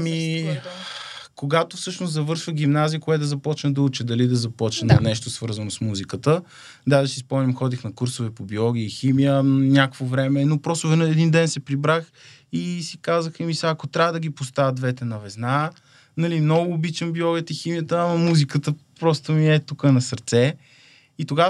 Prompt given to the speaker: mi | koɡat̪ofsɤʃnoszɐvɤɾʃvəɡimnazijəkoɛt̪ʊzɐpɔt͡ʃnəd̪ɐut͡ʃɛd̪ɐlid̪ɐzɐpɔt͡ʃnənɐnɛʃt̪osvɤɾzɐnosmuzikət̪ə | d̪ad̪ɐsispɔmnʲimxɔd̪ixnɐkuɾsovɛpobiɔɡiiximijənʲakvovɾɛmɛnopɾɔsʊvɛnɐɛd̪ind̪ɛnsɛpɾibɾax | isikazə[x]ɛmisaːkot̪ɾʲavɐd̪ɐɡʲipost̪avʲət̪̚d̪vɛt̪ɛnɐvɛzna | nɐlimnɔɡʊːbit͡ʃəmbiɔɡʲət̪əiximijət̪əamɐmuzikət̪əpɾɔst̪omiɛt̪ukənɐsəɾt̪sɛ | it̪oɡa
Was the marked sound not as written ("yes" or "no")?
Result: no